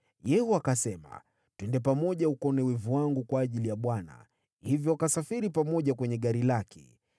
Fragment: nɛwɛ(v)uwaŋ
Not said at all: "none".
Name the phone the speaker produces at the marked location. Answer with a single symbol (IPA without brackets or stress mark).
v